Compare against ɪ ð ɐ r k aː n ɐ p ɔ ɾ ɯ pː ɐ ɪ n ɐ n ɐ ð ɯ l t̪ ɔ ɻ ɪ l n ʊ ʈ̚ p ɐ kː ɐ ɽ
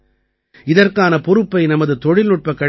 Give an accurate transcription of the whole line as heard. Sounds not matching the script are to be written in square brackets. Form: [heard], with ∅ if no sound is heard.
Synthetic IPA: ɪ ð ɐ r k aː n ɐ p ɔ ɾ ɯ pː ɐ ɪ n ɐ [m] ɐ ð ɯ [∅] t̪ ɔ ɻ ɪ l n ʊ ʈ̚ p ɐ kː ɐ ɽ